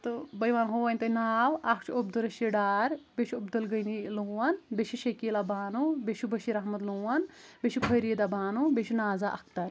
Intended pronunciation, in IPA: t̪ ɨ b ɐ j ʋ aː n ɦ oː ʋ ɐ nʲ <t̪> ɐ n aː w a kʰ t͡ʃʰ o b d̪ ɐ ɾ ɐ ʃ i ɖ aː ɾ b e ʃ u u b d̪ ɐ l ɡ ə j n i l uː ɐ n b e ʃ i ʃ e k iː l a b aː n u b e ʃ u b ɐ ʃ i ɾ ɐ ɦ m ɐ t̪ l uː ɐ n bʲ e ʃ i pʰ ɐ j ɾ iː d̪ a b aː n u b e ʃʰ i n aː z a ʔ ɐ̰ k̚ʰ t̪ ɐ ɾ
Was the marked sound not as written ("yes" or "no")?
no